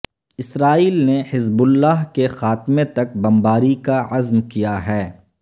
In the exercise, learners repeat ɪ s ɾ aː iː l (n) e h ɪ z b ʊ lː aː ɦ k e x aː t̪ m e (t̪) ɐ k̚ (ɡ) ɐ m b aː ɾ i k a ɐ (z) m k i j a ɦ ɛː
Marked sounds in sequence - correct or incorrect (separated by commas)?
correct, correct, incorrect, correct